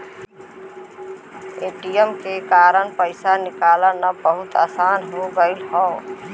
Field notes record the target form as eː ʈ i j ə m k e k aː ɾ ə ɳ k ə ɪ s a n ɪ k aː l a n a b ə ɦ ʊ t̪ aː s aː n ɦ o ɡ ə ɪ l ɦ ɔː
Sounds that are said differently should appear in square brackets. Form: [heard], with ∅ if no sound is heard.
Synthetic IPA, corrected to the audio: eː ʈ i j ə m k e k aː ɾ ə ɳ [p] ə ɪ s a n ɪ k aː l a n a b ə ɦ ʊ t̪ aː s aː n ɦ o ɡ ə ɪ l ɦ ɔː